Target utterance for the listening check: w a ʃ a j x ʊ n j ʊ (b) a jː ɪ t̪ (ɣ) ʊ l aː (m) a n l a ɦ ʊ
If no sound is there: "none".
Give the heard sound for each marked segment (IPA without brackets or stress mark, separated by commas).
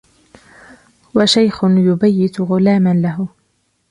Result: b, ɣ, m